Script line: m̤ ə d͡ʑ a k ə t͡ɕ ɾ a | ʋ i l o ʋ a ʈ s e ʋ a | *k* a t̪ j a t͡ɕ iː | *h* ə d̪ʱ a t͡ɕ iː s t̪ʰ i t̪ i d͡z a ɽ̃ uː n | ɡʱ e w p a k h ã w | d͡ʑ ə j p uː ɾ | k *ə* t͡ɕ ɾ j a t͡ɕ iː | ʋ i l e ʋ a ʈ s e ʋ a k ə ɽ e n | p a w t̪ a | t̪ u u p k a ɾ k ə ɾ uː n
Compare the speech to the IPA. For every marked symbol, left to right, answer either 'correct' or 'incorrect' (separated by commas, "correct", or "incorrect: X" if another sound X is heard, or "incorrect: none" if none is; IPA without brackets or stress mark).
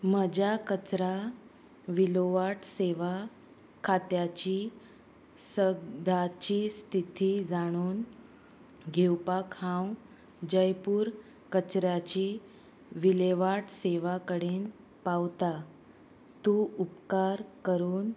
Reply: incorrect: kʰ, incorrect: s, correct